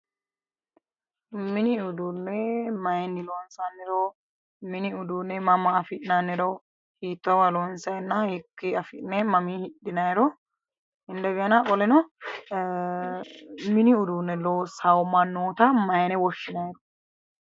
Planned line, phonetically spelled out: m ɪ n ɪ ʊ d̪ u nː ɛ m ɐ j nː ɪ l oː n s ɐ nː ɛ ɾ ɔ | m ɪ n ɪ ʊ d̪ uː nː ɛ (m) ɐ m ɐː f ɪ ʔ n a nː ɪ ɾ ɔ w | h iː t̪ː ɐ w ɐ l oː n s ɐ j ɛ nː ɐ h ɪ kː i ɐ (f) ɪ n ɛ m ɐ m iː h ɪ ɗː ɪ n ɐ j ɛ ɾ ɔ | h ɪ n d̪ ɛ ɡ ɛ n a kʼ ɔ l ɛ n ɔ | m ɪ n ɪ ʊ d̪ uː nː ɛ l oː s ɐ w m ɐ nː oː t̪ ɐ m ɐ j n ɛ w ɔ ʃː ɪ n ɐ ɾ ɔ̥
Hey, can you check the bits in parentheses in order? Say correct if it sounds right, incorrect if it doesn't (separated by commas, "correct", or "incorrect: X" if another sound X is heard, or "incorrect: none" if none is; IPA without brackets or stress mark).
correct, correct